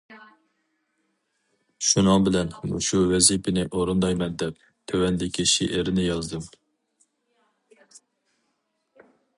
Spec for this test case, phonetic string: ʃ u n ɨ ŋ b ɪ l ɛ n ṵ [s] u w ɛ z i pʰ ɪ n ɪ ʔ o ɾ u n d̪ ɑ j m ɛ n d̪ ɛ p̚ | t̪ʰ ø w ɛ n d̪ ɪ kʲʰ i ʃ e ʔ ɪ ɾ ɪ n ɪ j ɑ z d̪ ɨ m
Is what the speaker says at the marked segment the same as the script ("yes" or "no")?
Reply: no